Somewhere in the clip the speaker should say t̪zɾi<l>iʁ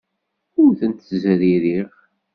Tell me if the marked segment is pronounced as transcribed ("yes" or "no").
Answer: no